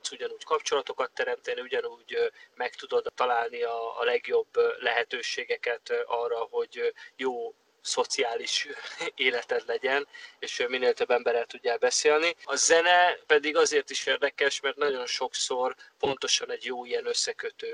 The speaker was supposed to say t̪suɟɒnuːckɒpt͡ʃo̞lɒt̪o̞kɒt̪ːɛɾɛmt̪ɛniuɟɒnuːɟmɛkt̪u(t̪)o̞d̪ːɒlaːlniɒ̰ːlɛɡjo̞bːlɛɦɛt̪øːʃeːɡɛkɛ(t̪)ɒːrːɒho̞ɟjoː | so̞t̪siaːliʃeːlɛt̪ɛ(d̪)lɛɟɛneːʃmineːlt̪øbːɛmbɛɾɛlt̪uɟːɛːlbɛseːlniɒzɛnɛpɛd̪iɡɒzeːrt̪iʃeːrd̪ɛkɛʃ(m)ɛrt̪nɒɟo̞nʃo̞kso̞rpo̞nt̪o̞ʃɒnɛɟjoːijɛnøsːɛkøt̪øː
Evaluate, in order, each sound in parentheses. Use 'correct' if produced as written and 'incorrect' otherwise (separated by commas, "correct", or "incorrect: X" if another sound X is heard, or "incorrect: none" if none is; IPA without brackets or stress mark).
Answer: incorrect: d̪, correct, correct, correct